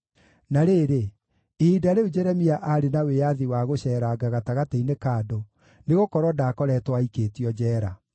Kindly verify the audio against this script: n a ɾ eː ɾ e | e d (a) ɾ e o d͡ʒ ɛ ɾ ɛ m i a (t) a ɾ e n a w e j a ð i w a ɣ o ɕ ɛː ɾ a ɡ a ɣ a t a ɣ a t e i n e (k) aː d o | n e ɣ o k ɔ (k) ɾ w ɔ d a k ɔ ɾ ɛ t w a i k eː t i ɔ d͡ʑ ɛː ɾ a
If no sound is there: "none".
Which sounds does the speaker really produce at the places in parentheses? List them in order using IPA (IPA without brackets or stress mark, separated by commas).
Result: a, ʔ, k, none